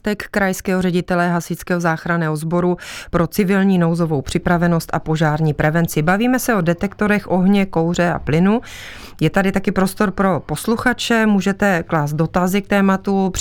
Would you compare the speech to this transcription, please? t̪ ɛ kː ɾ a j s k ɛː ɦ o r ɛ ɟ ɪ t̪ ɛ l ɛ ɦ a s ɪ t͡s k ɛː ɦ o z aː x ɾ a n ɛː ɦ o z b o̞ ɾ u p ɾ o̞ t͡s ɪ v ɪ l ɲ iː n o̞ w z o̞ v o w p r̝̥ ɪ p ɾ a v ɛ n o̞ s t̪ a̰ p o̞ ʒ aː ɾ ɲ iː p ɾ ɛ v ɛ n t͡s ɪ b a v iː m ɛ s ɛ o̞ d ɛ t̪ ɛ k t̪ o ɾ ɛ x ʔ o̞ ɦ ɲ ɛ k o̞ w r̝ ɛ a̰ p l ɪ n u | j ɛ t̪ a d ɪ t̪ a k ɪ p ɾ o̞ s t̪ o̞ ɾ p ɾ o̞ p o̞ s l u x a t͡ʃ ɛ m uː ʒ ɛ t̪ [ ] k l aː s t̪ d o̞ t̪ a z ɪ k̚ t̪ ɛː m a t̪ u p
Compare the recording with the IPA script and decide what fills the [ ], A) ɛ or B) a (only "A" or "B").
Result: A